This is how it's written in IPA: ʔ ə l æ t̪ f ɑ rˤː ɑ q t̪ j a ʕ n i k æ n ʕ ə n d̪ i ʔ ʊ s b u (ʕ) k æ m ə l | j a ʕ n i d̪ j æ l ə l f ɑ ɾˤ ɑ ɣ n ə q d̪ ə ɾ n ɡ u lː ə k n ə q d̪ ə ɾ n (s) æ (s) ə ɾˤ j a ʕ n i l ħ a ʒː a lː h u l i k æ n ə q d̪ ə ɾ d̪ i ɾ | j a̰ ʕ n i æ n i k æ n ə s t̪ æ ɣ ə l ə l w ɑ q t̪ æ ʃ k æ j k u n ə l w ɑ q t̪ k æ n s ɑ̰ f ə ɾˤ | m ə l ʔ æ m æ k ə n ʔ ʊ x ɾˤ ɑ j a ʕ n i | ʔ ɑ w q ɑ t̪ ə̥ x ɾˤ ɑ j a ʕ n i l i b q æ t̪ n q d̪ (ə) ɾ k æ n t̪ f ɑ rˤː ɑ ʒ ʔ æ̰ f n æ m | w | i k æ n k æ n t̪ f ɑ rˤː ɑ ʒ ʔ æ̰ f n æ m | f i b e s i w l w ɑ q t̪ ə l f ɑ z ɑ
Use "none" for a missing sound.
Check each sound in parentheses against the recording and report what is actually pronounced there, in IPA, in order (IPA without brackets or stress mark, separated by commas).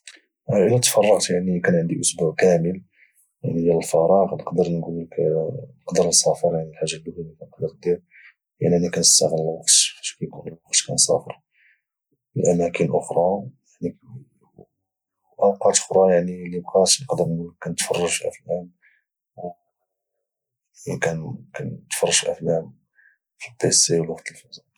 ʕ, s, f, ə